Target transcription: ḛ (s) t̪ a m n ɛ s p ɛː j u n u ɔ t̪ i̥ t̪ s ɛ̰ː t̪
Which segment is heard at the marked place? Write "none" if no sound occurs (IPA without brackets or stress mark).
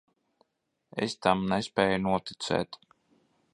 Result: s